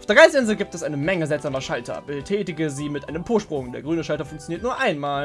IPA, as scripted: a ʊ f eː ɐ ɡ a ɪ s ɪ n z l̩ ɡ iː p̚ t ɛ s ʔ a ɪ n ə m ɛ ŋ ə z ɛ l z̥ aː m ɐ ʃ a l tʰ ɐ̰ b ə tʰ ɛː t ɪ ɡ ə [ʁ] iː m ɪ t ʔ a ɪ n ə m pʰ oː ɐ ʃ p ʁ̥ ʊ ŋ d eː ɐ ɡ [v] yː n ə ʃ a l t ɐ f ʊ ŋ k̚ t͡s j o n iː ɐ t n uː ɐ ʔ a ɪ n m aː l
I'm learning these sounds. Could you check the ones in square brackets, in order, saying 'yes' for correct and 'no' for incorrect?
no, no

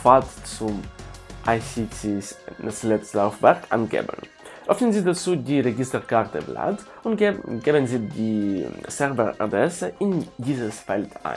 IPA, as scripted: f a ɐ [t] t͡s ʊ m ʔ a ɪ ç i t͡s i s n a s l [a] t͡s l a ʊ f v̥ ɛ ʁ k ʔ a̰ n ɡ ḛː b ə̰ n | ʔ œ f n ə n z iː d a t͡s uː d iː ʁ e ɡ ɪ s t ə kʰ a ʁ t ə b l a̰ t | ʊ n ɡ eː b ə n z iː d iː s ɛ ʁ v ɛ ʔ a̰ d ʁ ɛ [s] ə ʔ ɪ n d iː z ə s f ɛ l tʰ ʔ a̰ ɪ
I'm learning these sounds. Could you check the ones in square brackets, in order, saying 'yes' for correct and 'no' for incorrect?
yes, no, yes

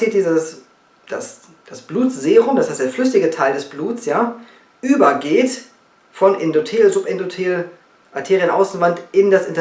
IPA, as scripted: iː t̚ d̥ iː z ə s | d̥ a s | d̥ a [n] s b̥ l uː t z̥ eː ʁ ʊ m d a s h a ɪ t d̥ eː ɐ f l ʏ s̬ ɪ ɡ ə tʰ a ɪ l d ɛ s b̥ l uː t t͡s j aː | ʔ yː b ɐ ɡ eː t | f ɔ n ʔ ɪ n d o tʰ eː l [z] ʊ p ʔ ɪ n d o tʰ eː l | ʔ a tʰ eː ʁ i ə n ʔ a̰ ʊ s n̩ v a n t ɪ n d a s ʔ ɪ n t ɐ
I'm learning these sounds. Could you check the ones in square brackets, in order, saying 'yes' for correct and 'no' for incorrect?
no, yes

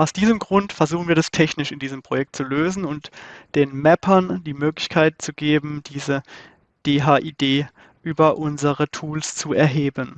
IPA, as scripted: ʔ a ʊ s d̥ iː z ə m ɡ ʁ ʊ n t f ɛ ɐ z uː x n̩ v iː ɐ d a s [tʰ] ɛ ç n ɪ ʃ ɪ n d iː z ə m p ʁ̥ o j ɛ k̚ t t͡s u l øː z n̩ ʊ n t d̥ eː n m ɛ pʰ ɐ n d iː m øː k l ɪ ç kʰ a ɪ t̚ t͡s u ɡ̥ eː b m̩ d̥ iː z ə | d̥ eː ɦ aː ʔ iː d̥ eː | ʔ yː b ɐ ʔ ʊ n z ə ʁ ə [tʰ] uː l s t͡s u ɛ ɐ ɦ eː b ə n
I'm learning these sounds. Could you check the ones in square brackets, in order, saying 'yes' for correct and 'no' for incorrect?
yes, yes

